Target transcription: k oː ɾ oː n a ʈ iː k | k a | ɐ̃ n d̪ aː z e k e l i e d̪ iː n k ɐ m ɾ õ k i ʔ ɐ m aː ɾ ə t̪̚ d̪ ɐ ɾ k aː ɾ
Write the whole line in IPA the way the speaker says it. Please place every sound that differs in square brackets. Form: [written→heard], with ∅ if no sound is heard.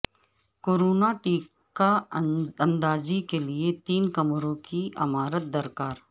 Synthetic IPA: k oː ɾ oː n a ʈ iː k | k a | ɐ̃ n d̪ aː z [e→i] k e l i e [d̪→t̪] iː n k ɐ m ɾ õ k i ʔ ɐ m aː ɾ ə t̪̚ d̪ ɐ ɾ k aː ɾ